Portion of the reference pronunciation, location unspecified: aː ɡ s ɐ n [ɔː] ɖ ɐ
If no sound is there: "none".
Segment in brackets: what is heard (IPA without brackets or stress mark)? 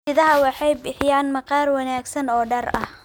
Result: ɔː